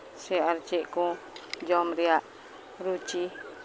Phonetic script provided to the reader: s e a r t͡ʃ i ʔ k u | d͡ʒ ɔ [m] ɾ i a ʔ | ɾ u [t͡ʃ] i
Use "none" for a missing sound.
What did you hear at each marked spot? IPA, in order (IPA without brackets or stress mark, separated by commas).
m, t͡ʃ